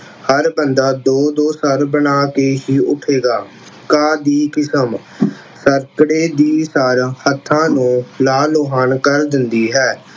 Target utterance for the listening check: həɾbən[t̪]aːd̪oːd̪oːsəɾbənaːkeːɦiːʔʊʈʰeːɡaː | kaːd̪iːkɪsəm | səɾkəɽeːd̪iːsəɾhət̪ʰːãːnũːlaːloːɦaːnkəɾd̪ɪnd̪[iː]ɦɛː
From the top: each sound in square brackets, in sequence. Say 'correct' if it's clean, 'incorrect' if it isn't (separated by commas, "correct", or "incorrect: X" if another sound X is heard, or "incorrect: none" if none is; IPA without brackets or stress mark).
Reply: incorrect: d̪, correct